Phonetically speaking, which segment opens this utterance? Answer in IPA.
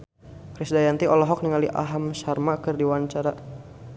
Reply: k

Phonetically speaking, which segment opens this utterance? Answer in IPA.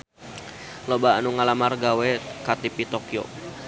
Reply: l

